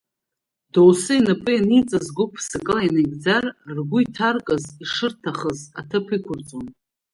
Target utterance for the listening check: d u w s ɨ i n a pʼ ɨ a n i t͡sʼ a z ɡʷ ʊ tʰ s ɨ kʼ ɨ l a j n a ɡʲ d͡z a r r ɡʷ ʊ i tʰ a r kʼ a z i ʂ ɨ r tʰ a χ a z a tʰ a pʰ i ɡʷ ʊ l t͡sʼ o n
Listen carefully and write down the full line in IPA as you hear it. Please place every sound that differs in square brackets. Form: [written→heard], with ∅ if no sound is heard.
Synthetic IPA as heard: d [u→o] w s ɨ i n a pʼ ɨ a n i t͡sʼ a z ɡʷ ʊ [tʰ→pʰ] s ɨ kʼ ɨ l a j n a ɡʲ d͡z a r r ɡʷ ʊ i tʰ a r kʼ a z i ʂ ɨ r tʰ a χ [a→ə] z a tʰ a pʰ i [ɡʷ→kʷ] ʊ [l→r] t͡sʼ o n